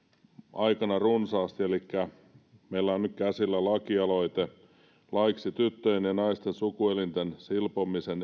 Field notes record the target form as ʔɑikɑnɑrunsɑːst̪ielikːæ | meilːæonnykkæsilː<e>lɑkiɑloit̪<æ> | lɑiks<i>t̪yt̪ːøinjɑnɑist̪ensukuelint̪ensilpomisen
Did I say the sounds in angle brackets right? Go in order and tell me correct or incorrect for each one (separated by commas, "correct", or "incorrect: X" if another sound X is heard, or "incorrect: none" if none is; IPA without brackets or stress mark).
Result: incorrect: æ, incorrect: e, correct